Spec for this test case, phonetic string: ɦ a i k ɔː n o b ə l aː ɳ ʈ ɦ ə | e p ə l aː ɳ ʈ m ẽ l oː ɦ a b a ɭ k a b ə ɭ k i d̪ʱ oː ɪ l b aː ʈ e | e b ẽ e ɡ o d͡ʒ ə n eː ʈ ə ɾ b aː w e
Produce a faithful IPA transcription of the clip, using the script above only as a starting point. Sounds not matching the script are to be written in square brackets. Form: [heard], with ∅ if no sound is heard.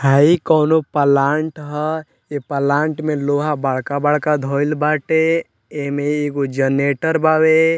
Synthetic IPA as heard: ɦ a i k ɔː n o [p] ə l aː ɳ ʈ ɦ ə | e p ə l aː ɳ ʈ m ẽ l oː ɦ a b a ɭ k a b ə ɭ k [a] d̪ʱ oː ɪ l b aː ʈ e | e [m] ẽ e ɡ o d͡ʒ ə n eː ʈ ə ɾ b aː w e